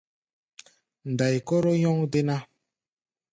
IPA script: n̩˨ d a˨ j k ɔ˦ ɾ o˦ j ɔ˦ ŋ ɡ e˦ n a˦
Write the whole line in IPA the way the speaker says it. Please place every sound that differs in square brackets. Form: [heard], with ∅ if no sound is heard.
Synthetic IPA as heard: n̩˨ d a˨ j k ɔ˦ ɾ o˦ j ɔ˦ ŋ [d] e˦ n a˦